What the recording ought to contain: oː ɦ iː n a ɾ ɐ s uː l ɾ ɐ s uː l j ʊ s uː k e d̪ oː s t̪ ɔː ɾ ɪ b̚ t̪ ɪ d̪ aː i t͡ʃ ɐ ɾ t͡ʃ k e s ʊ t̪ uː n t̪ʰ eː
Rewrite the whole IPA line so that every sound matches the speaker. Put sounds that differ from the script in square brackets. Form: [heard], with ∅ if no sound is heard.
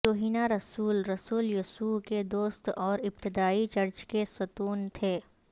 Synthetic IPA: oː ɦ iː n a ɾ ɐ s uː l ɾ ɐ s uː l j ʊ s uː k e d̪ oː s t̪ ɔː ɾ ɪ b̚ t̪ ɪ d̪ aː i t͡ʃ ɐ ɾ t͡ʃ k e s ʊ t̪ uː n t̪ʰ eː

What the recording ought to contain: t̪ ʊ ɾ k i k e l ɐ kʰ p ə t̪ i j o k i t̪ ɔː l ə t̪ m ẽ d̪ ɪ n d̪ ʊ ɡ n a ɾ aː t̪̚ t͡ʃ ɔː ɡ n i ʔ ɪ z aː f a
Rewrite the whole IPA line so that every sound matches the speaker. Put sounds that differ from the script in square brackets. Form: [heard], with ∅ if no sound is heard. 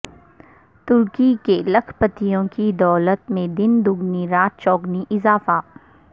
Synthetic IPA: t̪ ʊ ɾ k i k e l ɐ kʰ p ə t̪ i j [õ] k i [d̪] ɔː l ə t̪ m ẽ d̪ ɪ n d̪ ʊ ɡ n [i] ɾ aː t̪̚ t͡ʃ ɔː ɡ n i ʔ ɪ z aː f a

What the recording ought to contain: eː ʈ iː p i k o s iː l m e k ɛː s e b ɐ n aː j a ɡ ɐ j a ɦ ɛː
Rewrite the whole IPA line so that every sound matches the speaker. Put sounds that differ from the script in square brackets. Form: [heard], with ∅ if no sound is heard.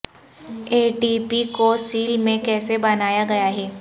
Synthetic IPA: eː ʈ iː p i k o s iː l m [ẽ] k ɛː s e b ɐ n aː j a ɡ ɐ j a ɦ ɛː

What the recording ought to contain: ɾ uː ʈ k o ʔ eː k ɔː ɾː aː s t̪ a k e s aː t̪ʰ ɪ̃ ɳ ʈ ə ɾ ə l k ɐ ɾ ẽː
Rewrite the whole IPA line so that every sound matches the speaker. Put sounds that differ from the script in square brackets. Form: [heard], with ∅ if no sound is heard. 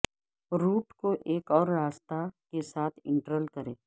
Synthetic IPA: ɾ uː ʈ k o ʔ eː k ɔː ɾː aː s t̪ a k e s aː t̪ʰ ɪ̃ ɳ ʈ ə ɾ ə l k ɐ ɾ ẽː

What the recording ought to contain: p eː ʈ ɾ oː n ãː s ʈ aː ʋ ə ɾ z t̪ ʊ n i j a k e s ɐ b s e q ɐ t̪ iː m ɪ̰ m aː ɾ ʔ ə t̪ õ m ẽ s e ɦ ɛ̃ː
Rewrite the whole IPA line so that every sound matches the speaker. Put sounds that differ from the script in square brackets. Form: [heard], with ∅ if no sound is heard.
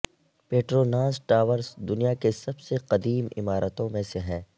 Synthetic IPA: p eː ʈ ɾ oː n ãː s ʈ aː ʋ ə ɾ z [d̪] ʊ n i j a k e s ɐ b s e q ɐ [d̪] iː m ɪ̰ m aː ɾ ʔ ə t̪ õ m ẽ s e ɦ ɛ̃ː

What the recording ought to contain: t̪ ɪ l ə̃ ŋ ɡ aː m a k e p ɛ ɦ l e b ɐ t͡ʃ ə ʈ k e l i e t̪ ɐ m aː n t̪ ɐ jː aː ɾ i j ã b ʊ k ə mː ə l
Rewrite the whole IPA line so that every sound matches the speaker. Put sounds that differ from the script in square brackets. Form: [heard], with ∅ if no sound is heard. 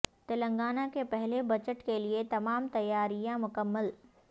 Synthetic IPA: t̪ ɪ l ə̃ ŋ ɡ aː [n] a k e p ɛ ɦ l e b ɐ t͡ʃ ə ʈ k e l i e t̪ ɐ m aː [m] t̪ ɐ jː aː ɾ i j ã [m] ʊ k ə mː ə l

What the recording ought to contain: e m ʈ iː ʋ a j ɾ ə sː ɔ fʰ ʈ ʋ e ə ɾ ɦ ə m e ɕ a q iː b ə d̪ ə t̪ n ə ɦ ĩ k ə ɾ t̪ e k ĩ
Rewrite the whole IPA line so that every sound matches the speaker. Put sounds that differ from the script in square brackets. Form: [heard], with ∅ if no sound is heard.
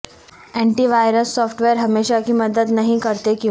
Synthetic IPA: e [ɳ] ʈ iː ʋ a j ɾ ə sː ɔ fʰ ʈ ʋ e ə ɾ ɦ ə m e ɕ a [k] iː [m] ə d̪ ə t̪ n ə ɦ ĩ k ə ɾ t̪ e k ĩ

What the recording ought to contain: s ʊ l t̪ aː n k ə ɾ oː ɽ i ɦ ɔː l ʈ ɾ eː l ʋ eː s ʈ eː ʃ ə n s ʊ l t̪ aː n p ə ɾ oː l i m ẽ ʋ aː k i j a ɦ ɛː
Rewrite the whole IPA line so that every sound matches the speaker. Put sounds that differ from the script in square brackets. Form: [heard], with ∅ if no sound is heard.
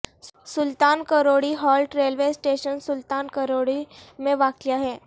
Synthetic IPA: s ʊ l t̪ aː n k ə ɾ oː ɽ i ɦ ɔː l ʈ ɾ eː l ʋ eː s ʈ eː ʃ ə n s ʊ l t̪ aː n [k] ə ɾ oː [ɽ] i m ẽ ʋ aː k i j a ɦ ɛː

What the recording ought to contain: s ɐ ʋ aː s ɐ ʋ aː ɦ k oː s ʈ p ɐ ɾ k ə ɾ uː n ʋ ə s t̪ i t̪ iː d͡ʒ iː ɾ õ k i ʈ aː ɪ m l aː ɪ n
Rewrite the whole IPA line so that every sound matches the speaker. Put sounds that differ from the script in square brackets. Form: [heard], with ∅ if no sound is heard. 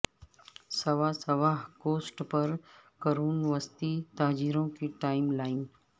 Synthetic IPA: s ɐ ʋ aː s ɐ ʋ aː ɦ k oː s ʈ p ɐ ɾ k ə ɾ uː n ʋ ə s t̪ i t̪ [aː] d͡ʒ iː ɾ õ k i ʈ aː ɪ m l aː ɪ n

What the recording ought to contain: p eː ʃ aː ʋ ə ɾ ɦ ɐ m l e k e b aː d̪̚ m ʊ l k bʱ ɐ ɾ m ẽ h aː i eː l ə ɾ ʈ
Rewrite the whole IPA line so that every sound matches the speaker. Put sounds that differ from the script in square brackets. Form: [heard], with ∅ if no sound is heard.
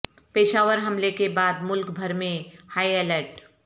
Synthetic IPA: p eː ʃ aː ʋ ə ɾ ɦ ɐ m l e k e b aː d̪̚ m ʊ l k bʱ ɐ ɾ m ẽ h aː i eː l ə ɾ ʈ

